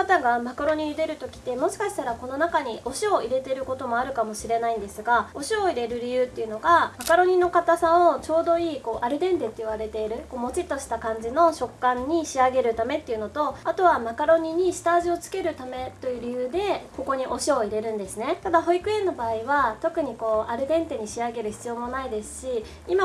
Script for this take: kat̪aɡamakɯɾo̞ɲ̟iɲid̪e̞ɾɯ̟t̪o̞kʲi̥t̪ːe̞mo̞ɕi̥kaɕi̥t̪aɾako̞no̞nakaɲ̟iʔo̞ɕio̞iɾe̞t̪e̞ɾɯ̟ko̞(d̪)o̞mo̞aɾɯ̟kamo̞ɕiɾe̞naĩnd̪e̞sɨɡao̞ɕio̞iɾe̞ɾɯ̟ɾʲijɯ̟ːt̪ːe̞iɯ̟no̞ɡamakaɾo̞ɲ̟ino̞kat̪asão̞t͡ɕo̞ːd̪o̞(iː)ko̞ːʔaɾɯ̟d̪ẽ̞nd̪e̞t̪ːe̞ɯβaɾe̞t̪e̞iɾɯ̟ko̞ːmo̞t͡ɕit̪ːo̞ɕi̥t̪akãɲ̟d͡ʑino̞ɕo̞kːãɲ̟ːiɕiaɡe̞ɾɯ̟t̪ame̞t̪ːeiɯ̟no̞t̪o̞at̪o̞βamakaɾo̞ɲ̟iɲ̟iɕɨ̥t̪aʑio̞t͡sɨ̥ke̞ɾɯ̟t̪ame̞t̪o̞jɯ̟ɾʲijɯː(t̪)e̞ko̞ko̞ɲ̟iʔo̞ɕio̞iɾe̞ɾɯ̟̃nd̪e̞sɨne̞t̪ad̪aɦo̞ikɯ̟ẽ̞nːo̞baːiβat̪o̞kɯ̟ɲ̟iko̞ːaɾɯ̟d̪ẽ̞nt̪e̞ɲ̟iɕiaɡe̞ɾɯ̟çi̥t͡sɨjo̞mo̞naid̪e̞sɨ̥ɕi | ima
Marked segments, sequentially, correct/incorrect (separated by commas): incorrect, correct, incorrect